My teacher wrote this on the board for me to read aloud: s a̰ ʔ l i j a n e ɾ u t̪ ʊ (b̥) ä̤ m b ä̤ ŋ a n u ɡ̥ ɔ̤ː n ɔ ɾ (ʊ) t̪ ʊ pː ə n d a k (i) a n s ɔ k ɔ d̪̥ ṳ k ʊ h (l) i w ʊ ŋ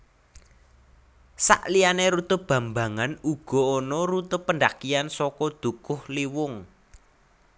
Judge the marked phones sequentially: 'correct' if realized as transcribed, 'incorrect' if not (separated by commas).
correct, incorrect, correct, correct